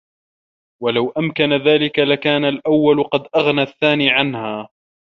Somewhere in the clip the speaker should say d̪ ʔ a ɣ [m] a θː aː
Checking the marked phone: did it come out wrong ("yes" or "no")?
yes